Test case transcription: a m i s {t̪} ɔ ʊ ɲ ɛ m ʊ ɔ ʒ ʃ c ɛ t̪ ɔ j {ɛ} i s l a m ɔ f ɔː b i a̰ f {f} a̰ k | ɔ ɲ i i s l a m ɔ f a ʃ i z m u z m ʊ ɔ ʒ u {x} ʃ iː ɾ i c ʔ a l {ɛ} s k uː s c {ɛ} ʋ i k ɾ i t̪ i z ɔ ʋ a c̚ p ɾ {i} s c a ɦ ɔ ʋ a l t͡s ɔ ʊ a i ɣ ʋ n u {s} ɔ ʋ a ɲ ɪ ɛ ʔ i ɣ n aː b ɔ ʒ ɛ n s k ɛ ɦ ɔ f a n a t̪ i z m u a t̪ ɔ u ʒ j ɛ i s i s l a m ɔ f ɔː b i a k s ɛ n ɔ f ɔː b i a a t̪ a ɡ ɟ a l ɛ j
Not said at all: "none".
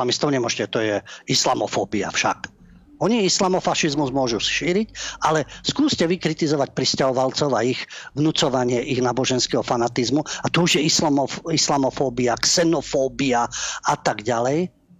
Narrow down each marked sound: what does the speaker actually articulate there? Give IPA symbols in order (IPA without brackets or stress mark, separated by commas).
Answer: t̪, ɛ, ʃ, s, ɛ, ɛ, i, t͡s